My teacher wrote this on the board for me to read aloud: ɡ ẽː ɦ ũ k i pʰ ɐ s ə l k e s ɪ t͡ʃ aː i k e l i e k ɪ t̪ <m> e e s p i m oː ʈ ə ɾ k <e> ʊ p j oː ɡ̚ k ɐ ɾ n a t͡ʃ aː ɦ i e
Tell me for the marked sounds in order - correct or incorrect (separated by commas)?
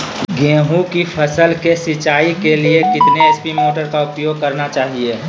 incorrect, incorrect